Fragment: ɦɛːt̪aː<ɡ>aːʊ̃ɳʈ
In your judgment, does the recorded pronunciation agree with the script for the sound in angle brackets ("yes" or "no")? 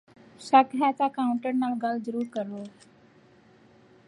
no